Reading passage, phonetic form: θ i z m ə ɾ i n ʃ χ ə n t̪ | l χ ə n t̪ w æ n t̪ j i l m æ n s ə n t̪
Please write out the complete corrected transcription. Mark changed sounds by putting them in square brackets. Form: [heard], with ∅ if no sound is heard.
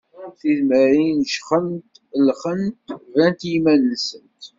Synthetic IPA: θ i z m ə ɾ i n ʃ χ ə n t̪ | l χ ə n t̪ [v] æ n t̪ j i [∅] m æ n s ə n t̪

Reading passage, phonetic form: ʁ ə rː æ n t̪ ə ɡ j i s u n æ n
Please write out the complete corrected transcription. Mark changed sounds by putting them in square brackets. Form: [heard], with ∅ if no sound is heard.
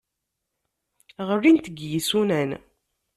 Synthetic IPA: ʁ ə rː [i] n t̪ ə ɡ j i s u n æ n

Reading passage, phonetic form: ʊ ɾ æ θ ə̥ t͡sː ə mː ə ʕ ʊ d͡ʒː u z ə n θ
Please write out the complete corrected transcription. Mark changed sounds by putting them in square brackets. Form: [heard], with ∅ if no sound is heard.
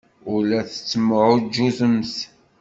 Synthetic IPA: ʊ [l] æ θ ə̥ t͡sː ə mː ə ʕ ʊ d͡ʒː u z ə [m] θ

